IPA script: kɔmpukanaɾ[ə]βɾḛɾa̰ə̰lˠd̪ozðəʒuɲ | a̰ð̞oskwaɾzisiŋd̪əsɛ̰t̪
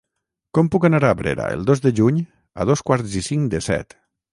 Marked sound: incorrect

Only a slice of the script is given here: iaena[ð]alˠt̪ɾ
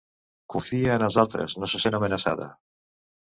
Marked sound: incorrect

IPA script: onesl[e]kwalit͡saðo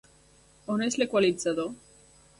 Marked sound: correct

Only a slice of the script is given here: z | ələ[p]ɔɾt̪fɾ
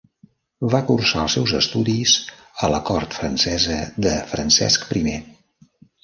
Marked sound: incorrect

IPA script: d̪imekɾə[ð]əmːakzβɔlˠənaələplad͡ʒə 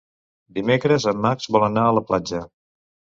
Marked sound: incorrect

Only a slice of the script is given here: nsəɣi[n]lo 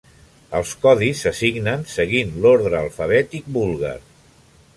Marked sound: correct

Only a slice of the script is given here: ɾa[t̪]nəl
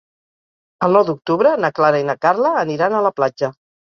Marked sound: incorrect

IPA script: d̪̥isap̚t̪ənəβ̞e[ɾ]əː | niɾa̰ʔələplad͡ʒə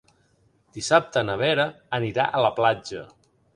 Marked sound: correct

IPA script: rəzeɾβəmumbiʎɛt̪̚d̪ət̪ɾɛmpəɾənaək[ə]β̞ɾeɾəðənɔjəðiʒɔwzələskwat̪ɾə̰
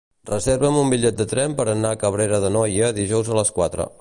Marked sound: correct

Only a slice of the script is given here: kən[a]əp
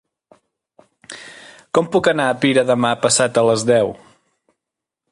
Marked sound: correct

